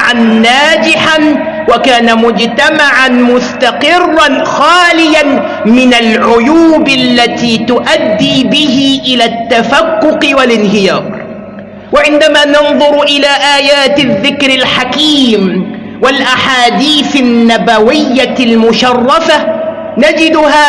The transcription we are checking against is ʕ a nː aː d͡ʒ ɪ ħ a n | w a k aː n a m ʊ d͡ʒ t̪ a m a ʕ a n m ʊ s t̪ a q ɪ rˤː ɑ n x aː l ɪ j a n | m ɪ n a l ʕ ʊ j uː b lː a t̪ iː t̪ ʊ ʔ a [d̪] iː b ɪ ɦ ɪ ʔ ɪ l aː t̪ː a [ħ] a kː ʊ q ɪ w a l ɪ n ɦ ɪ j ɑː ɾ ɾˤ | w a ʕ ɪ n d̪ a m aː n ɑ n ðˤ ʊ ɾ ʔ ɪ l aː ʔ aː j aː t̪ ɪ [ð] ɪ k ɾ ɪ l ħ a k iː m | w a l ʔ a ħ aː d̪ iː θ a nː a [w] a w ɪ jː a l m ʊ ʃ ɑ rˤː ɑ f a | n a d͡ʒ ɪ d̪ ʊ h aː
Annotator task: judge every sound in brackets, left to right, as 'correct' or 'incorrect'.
incorrect: d̪ː, incorrect: f, incorrect: ðː, incorrect: b

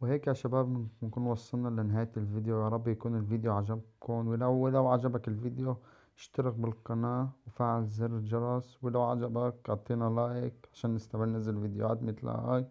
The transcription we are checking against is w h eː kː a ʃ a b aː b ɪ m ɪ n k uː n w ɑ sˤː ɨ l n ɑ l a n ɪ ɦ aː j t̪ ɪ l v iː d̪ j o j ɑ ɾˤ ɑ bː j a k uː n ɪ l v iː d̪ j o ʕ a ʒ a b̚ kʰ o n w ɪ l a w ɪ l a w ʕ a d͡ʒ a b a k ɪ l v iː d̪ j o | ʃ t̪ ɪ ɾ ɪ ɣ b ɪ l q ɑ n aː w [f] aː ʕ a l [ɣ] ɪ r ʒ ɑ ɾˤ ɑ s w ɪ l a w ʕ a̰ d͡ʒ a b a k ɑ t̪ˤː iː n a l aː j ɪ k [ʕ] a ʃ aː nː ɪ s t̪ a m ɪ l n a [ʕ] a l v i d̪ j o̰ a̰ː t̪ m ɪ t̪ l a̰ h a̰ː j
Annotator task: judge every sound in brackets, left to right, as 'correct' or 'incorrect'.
correct, incorrect: z, correct, incorrect: z

